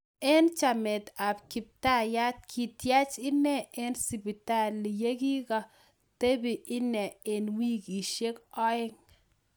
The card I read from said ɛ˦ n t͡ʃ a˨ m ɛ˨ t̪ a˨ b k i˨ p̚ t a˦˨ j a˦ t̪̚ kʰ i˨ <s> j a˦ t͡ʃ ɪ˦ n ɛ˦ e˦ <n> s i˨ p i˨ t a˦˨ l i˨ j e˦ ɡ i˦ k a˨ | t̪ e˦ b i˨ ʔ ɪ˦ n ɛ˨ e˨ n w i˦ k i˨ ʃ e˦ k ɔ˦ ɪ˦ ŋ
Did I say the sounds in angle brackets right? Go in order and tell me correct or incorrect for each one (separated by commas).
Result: incorrect, correct